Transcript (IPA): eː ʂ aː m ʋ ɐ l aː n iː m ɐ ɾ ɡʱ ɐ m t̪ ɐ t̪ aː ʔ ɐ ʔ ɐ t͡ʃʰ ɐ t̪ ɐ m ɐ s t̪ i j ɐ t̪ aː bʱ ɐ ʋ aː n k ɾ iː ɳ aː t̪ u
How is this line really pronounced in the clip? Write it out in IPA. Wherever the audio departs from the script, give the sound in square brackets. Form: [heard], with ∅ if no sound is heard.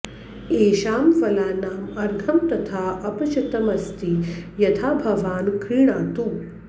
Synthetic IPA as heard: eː [ʃ] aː m ʋ ɐ l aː n [aː] m ɐ ɾ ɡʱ ɐ m t̪ ɐ [t̪ʰ] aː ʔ ɐ [p] ɐ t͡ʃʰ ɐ t̪ ɐ m ɐ s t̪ i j ɐ [t̪ʰ] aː bʱ ɐ ʋ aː n k ɾ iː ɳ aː t̪ u